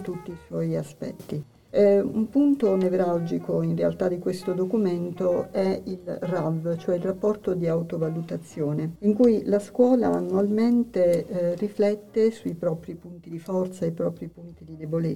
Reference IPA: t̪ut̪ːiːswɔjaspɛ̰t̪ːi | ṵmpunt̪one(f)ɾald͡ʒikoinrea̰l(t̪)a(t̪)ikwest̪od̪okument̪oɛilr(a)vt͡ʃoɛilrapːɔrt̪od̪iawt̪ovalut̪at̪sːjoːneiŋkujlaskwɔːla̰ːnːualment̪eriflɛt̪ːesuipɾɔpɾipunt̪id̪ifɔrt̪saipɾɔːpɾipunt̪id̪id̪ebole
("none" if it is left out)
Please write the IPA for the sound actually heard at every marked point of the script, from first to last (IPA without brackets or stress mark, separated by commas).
v, t̪, d̪, a